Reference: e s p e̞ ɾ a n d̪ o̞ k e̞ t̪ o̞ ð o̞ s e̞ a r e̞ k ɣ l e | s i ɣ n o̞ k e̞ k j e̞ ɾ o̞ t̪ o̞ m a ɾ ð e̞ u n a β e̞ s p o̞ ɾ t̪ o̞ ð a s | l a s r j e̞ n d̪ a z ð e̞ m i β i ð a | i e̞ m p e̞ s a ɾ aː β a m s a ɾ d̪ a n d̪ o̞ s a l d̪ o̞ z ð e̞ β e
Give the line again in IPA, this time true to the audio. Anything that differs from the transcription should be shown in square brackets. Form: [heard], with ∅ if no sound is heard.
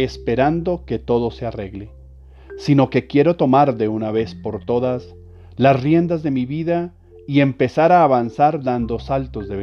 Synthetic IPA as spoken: e s p e̞ ɾ a n d̪ o̞ k e̞ t̪ o̞ ð o̞ s e̞ a r e̞ [∅] ɣ l e | s i [∅] n o̞ k e̞ k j e̞ ɾ o̞ t̪ o̞ m a ɾ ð e̞ u n a β e̞ s p o̞ ɾ t̪ o̞ ð a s | l a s r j e̞ n d̪ a z ð e̞ m i β i ð a | i e̞ m p e̞ s a ɾ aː β a [n] s a ɾ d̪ a n d̪ o̞ s a l [t̪] o̞ z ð e̞ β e